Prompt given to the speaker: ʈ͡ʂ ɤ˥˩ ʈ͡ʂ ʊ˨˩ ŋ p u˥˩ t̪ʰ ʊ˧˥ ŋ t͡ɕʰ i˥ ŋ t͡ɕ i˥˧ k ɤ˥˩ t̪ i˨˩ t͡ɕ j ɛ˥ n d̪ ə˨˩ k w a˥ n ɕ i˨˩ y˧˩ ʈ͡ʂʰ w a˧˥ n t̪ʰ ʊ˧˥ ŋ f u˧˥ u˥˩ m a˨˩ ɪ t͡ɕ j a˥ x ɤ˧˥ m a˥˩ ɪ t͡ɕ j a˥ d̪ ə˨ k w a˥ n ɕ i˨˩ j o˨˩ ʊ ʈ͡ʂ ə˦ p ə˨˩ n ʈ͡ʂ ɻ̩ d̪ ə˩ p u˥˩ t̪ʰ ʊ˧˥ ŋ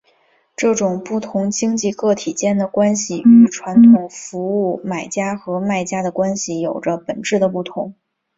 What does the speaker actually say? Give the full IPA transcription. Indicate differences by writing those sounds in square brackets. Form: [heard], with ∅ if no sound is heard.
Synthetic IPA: ʈ͡ʂ ɤ˥˩ ʈ͡ʂ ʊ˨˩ ŋ p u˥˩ t̪ʰ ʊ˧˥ ŋ [t͡ɕ] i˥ ŋ t͡ɕ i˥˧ k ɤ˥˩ [t̪ʰ] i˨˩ t͡ɕ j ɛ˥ n d̪ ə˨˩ k w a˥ n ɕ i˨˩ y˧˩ ʈ͡ʂʰ w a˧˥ n t̪ʰ [ʊ˨˩] ŋ f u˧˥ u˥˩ m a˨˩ ɪ t͡ɕ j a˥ x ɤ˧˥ m a˥˩ ɪ t͡ɕ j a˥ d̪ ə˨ k w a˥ n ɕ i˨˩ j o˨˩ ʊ ʈ͡ʂ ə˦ p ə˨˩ n ʈ͡ʂ ɻ̩ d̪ ə˩ p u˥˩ t̪ʰ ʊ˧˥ ŋ